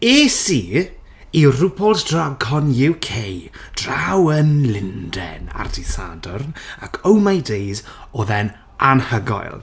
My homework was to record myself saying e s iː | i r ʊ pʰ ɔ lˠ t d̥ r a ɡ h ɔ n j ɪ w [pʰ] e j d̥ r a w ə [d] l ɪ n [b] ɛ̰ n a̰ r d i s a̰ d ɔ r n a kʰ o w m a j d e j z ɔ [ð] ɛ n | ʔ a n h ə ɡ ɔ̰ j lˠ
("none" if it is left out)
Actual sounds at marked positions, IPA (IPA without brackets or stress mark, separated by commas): kʰ, n, d, ð